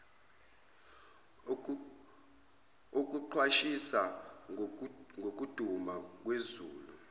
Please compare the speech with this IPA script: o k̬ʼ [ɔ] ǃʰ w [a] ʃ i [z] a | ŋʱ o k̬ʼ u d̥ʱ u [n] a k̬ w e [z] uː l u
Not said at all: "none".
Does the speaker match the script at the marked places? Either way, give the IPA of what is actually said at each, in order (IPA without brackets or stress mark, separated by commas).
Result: u, a, s, m, z